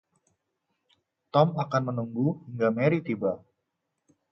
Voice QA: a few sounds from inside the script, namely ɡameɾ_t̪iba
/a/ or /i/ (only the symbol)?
i